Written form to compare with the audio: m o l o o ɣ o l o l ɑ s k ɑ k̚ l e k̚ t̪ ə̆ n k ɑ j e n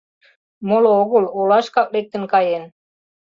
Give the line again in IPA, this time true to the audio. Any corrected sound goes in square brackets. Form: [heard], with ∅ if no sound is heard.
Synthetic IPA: m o l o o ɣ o l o l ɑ [ʃ] k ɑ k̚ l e k̚ t̪ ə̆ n k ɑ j e n